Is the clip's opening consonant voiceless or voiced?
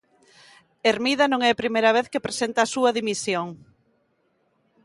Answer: voiced